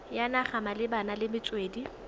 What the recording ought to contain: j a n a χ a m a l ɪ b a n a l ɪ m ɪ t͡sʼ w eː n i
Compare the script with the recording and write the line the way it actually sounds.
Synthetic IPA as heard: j a n a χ a m a l ɪ b a n a l ɪ m ɪ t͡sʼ w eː d i